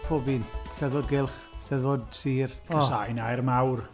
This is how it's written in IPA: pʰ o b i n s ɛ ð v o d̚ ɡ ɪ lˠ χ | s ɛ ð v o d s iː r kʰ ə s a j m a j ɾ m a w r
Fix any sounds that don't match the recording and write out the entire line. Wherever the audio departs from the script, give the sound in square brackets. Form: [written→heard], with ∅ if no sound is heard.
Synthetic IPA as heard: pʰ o b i n s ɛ ð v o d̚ ɡ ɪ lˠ χ | s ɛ ð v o d s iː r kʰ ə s a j [m→n] a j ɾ m a w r